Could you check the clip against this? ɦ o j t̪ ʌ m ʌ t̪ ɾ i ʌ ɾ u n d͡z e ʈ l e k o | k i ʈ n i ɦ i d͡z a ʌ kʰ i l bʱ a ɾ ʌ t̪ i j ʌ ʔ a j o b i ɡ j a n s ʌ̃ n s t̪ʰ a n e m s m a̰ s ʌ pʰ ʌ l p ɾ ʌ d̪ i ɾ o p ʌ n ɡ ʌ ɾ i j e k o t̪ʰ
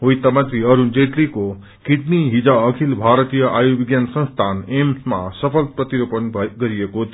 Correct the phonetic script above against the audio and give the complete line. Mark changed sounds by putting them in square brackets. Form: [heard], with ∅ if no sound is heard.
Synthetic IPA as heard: ɦ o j t̪ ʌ m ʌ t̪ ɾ i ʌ ɾ u n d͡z e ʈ l [i] k o | k i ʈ n i ɦ i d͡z a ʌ kʰ i l bʱ a ɾ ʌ t̪ i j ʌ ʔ a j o b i ɡ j a n s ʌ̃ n s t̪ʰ a n e m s m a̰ s ʌ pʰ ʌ l p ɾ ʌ [t̪] i ɾ o p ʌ n ɡ ʌ ɾ i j e k o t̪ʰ